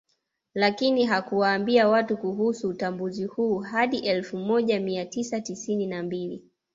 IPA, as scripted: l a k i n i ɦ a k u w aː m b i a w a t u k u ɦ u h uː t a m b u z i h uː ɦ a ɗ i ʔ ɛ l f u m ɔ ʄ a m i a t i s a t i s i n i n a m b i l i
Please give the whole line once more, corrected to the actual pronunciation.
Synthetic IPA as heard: l a k i n i ɦ a k u w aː m b i a w a t u k u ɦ u s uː t a m b u z i h uː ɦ a ɗ i ʔ ɛ l f u m ɔ ʄ a m i a t i s a t i s i n i n a m b i l i